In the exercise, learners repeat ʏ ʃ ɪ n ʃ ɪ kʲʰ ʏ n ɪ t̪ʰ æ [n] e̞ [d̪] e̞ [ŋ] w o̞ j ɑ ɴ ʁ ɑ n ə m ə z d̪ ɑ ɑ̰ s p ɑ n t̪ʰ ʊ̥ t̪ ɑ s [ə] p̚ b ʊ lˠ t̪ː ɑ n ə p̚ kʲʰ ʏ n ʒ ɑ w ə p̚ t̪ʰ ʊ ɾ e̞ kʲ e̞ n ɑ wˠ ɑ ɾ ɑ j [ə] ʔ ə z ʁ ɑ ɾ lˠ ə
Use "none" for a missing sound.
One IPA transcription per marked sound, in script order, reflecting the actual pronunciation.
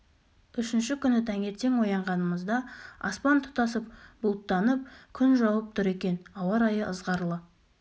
ŋ, t̪, ŋ, ə, ə

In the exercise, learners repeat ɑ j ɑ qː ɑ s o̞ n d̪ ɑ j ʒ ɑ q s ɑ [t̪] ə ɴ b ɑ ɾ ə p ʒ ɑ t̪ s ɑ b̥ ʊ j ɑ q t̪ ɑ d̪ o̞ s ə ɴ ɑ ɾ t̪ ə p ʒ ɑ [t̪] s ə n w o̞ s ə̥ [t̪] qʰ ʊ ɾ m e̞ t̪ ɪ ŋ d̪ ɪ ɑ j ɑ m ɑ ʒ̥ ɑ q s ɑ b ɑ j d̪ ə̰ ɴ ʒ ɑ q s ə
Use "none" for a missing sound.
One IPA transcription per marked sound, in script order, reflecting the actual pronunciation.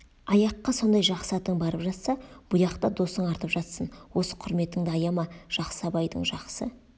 t̪, t̪, none

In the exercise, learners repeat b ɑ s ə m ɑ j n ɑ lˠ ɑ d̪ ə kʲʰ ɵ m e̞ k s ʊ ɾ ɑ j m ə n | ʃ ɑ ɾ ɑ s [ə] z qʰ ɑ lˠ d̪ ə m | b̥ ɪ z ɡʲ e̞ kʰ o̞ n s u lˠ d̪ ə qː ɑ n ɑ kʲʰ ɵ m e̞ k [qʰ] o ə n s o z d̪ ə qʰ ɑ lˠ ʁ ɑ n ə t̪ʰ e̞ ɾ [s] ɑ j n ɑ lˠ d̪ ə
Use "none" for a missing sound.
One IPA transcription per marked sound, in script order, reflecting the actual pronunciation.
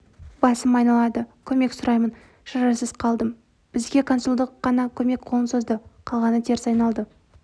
ə, qʰ, s

